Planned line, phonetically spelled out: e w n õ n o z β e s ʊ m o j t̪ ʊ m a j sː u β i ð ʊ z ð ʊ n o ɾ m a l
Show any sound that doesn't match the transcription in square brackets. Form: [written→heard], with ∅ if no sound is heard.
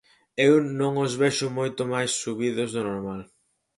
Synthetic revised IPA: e w n õ [n→ŋ] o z β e [s→ʃ] ʊ m o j t̪ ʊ m a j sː u β i ð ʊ z ð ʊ n o ɾ m a l